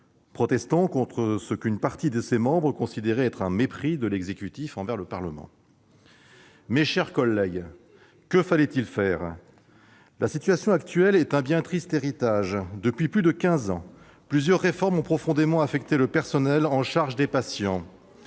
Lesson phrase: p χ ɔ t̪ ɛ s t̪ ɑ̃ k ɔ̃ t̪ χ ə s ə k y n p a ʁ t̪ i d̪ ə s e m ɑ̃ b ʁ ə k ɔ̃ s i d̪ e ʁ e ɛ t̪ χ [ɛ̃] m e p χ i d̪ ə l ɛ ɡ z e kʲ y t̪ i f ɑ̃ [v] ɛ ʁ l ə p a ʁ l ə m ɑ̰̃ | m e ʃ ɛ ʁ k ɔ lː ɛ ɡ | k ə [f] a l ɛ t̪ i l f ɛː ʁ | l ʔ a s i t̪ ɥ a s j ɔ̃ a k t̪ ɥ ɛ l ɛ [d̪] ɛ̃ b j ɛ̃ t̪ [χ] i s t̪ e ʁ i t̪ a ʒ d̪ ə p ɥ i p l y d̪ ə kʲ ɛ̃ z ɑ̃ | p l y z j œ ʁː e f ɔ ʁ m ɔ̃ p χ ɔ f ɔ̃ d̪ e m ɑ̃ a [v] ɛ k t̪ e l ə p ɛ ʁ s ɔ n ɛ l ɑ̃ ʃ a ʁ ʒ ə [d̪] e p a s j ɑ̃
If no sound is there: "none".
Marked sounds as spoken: ɛ̃, v, f, t̪, χ, f, d̪

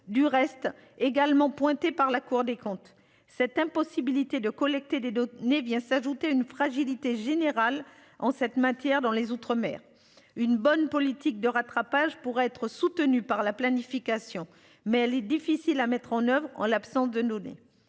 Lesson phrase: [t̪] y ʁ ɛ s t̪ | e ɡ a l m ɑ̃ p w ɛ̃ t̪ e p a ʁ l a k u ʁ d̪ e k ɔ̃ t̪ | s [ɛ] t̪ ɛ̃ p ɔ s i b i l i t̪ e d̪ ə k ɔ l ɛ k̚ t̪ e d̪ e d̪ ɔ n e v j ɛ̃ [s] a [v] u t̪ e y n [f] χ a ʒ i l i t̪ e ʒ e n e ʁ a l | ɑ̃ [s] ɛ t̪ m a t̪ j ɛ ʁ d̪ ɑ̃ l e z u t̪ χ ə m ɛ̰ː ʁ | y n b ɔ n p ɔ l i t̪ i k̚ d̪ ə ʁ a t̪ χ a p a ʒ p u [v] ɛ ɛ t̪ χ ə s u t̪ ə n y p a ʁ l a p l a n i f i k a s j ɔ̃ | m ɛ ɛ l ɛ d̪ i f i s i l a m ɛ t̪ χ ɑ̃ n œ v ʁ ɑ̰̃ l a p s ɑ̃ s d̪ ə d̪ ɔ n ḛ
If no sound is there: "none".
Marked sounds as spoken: d̪, ɛ, s, ʒ, f, s, ʁ

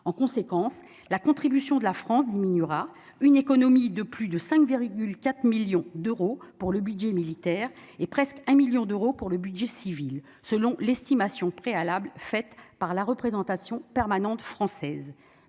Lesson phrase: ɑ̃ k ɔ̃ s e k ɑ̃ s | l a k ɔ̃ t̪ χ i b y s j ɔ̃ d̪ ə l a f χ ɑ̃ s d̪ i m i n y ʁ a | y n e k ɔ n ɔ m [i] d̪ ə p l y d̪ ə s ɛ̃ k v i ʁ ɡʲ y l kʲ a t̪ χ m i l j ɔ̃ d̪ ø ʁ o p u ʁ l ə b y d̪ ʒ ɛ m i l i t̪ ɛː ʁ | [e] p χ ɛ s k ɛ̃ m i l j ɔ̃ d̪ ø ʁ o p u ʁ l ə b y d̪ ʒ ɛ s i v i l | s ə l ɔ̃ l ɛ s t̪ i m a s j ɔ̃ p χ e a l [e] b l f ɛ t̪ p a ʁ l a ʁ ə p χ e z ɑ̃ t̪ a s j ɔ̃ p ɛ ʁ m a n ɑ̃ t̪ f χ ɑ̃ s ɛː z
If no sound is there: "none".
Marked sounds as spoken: i, e, a

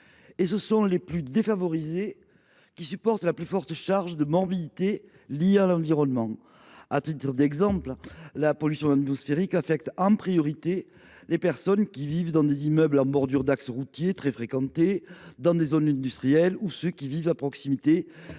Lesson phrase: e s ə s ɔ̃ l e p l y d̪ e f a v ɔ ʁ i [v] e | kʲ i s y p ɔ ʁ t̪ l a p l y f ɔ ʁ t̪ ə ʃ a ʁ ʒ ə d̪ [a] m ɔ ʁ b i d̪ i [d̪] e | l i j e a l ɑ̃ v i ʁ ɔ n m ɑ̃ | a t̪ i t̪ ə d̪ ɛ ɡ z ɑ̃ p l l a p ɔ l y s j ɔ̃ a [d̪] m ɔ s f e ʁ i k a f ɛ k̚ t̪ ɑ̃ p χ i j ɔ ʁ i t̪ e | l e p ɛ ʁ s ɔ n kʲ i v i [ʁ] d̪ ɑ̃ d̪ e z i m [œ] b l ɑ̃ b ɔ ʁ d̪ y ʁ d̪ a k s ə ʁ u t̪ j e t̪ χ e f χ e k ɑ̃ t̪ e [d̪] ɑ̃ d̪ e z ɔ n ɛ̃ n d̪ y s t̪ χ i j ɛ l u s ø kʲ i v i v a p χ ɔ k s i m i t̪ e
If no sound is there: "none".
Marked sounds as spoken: z, ə, t̪, t̪, v, œ, d̪

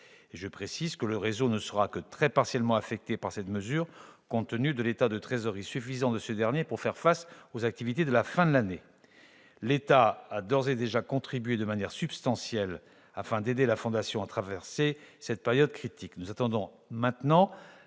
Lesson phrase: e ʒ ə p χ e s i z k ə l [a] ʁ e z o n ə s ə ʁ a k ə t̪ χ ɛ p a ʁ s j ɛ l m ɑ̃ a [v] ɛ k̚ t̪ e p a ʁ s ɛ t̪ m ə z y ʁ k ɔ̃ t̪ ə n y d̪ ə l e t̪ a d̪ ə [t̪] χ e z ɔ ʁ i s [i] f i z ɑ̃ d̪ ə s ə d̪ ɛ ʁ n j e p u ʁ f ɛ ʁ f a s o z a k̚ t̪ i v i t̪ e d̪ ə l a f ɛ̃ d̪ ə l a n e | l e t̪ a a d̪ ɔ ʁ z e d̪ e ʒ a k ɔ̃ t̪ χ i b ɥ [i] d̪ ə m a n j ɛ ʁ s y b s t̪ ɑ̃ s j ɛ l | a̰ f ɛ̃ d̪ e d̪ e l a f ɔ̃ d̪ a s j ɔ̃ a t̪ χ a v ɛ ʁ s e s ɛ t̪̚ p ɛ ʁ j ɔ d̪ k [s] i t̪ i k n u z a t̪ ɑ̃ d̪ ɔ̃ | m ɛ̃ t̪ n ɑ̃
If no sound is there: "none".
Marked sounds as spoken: ə, f, t̪, y, e, χ

